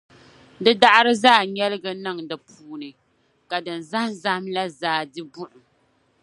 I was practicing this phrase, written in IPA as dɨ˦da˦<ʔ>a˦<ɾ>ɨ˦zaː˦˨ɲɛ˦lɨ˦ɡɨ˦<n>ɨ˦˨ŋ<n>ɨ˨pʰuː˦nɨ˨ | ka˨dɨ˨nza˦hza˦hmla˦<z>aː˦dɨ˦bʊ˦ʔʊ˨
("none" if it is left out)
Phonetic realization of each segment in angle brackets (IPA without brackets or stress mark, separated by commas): ʔ, ɾ, n, d, z